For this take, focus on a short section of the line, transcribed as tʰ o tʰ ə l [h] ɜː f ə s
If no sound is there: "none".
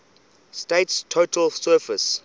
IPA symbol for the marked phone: s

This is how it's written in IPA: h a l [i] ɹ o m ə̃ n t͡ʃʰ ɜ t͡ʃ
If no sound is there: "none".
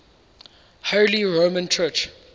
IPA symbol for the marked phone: i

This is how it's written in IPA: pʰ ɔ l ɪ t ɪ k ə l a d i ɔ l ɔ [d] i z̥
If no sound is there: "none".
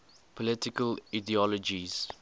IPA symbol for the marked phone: d͡ʒ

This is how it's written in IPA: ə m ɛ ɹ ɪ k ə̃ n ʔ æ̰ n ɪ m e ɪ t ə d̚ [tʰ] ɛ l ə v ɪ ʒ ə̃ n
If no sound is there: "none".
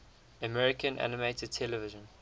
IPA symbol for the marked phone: tʰ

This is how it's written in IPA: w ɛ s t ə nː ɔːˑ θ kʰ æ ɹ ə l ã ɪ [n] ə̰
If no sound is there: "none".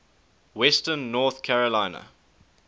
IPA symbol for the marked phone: n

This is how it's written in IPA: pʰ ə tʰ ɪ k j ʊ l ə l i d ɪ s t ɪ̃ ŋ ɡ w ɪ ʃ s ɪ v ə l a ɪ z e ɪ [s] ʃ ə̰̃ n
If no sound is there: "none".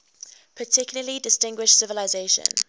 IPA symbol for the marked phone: none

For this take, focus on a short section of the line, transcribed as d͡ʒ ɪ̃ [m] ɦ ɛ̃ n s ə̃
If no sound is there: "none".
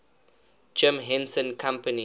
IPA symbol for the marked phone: m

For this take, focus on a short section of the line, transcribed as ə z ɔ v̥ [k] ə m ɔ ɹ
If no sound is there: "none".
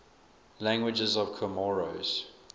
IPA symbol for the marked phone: kʰ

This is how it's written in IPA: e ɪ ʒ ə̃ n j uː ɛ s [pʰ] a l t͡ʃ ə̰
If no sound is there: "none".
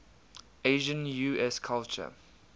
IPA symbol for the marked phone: kʰ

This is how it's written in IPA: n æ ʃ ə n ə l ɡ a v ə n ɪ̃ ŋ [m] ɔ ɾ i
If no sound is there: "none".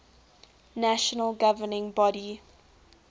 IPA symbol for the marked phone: b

